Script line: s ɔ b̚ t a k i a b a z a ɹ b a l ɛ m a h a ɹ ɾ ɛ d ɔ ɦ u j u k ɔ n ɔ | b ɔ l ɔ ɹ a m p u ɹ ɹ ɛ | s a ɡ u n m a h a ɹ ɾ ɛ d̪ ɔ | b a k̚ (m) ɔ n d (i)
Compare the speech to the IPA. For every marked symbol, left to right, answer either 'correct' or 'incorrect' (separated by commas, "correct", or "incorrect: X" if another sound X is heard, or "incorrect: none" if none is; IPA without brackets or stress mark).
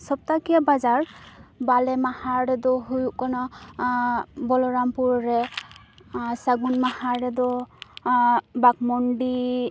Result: correct, correct